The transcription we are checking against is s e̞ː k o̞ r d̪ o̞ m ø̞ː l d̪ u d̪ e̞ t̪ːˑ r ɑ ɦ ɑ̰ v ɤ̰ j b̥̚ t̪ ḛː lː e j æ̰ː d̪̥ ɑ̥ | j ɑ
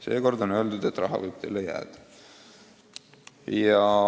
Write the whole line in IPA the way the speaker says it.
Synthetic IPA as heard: s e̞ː k o̞ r d̪ o̞ n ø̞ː l d̪ u d̪ e̞ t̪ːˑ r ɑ ɦ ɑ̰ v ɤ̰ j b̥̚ t̪ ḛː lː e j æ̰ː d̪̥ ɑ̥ | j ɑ